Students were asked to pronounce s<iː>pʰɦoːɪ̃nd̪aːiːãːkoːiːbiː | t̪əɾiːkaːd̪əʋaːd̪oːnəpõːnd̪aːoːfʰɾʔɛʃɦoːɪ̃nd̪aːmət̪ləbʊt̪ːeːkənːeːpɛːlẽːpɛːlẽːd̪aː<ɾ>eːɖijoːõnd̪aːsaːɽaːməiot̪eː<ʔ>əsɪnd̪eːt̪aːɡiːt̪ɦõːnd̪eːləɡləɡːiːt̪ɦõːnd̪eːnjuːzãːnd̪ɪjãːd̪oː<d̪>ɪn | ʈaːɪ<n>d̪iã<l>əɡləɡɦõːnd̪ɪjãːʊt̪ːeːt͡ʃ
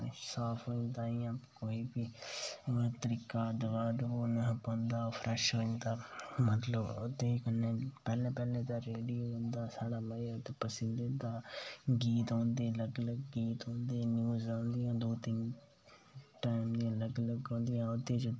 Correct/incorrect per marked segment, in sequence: incorrect: aː, correct, incorrect: p, incorrect: t̪, incorrect: m, correct

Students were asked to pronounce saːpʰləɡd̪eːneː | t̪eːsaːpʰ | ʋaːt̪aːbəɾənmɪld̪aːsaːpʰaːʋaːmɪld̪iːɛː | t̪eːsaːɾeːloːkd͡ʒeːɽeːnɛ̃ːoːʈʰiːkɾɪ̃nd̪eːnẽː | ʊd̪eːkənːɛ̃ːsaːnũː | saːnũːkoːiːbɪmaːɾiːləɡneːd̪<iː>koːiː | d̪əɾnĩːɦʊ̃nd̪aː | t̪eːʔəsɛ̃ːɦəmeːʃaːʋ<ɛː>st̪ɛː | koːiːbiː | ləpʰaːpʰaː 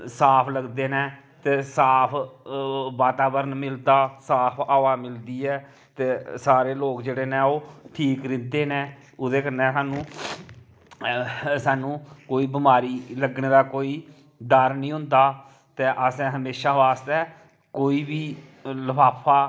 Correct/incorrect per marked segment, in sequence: incorrect: aː, incorrect: aː

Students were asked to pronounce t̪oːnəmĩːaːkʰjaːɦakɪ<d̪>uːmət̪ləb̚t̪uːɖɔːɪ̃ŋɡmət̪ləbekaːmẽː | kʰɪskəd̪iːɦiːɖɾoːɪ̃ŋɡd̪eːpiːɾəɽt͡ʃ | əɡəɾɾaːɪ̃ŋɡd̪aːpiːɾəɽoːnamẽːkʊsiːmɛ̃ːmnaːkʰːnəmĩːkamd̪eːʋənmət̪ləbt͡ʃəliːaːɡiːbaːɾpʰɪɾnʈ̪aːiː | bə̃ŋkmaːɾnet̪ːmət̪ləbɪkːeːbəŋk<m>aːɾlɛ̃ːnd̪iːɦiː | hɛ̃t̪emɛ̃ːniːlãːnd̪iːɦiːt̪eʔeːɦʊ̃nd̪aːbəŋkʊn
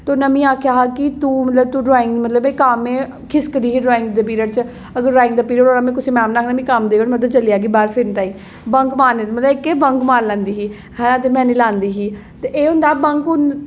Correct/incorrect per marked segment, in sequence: incorrect: t̪, correct

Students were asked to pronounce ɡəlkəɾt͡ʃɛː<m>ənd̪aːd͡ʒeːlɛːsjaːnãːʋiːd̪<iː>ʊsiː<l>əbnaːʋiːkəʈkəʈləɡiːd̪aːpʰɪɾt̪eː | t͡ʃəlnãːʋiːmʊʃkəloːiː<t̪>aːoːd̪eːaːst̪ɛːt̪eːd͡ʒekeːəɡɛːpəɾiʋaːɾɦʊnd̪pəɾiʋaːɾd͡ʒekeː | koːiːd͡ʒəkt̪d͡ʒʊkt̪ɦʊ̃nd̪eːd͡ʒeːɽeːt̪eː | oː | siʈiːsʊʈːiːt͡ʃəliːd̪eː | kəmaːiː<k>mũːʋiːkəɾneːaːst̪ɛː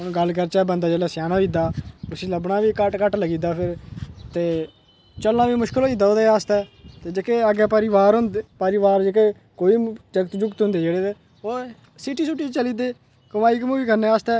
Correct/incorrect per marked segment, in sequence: incorrect: b, incorrect: aː, correct, incorrect: d̪, correct

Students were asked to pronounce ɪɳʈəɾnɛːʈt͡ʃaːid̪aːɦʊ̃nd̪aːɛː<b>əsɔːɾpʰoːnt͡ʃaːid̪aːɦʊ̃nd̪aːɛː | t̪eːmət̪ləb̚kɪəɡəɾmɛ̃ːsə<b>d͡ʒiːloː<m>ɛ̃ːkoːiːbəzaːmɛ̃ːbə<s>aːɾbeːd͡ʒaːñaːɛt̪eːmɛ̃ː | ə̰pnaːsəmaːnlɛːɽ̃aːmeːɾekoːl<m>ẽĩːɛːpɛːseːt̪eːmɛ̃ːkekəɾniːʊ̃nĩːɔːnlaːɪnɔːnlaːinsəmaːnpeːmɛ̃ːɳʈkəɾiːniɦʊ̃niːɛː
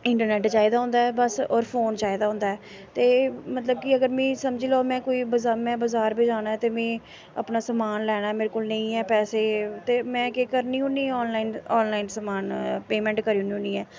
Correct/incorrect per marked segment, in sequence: correct, incorrect: m, correct, incorrect: z, incorrect: n

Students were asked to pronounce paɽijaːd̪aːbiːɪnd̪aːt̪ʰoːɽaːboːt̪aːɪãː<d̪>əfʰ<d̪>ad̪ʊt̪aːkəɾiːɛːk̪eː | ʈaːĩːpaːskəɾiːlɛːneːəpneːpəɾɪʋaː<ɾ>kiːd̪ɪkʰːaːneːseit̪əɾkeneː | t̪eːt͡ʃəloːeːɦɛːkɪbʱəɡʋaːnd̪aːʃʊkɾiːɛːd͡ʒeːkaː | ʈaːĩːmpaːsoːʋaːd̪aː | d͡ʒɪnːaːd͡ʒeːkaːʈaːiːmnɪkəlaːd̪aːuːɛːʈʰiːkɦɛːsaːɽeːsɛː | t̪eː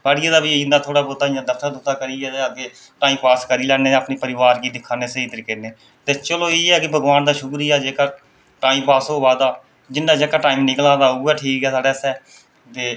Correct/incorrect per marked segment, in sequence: correct, incorrect: t̪, correct

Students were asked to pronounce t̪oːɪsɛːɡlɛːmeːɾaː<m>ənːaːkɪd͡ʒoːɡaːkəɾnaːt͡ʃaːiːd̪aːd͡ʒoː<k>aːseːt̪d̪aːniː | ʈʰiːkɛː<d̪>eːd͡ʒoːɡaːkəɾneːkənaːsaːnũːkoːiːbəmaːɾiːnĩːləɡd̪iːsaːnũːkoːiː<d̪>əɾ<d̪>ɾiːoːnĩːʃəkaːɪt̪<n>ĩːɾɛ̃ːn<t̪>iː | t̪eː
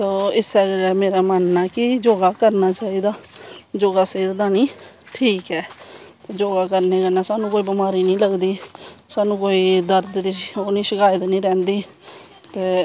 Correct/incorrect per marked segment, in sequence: correct, incorrect: ɡ, incorrect: t̪, correct, correct, correct, incorrect: d̪

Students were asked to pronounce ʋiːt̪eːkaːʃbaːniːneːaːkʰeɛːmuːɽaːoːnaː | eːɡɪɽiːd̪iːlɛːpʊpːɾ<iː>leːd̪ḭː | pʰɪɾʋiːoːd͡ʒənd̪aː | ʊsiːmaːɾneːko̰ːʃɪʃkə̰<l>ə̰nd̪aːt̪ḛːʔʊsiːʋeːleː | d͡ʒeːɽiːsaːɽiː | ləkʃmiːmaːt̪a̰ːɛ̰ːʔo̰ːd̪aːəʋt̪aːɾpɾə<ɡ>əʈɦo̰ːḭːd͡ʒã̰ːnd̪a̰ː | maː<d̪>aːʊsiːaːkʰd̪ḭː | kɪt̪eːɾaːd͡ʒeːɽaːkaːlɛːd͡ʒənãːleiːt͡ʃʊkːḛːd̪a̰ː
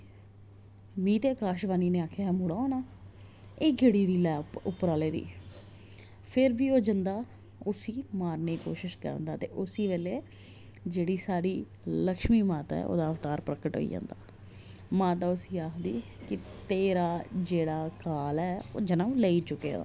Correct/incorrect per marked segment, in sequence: incorrect: aː, incorrect: ɾ, incorrect: k, incorrect: t̪

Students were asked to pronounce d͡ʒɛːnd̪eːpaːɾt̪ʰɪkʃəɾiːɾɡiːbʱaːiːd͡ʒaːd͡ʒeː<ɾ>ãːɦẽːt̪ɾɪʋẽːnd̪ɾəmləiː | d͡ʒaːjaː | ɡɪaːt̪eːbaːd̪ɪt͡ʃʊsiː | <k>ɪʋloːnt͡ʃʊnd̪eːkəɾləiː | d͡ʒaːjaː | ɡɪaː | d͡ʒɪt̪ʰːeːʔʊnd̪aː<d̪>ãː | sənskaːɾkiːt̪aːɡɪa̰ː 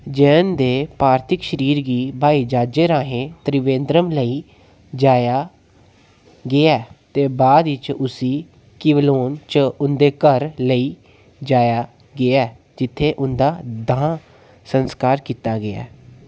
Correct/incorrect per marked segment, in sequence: correct, correct, correct

